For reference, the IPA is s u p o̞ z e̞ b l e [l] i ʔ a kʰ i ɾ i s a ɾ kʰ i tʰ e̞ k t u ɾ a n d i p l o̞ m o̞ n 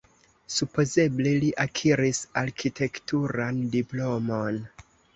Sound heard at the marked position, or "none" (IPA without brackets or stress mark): l